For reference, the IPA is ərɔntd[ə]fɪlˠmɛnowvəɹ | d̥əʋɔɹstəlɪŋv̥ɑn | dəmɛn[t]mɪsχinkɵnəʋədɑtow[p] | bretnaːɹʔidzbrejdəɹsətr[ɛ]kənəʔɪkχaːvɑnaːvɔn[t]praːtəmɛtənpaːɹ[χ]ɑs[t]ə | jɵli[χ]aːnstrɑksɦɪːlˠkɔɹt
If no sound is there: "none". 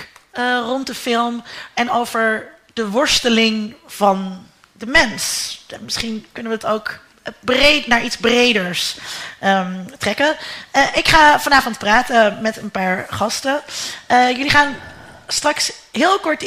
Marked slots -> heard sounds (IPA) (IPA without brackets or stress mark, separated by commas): ə, s, k, ɛ, t, χ, t, χ